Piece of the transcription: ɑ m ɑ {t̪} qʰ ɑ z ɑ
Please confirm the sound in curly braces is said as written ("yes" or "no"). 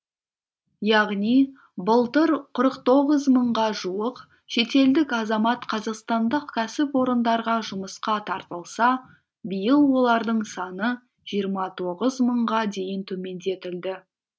yes